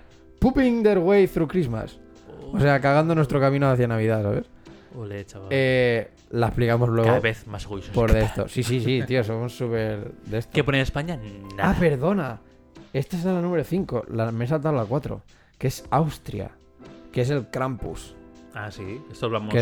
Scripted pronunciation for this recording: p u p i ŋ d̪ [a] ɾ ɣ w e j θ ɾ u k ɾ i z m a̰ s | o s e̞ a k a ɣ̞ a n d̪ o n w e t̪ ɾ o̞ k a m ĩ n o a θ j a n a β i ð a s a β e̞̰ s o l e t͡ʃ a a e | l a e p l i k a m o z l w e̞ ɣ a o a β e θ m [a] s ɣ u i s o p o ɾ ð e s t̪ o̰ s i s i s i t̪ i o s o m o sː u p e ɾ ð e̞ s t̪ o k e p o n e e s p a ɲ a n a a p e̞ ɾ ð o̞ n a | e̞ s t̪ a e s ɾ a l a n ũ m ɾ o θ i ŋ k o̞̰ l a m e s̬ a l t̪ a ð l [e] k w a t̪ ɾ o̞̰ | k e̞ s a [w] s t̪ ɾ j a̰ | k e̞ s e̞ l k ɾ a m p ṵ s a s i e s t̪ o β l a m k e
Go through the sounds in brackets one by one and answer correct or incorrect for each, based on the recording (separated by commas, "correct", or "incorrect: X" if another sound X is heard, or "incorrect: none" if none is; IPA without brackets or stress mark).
incorrect: e, correct, incorrect: a, correct